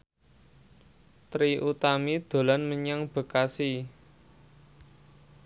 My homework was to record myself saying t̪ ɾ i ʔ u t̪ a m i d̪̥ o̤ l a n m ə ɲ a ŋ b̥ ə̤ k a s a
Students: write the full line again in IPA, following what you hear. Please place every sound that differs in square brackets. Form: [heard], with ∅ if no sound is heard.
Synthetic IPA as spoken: t̪ ɾ i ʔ u t̪ a m i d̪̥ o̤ l a n m ə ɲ a ŋ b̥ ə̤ k a s [i]